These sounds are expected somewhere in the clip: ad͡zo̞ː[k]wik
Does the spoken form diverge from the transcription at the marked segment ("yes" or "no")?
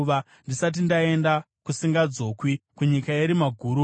no